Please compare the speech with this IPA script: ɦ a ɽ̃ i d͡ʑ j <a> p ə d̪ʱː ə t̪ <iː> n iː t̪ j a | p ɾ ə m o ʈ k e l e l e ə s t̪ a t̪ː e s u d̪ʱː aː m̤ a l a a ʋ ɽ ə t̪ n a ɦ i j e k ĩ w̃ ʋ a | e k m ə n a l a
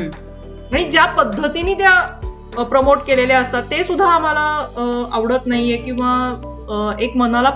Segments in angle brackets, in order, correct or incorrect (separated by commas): correct, incorrect